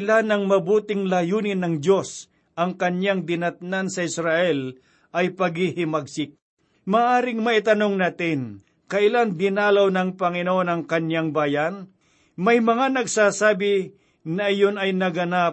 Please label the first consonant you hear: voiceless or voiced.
voiced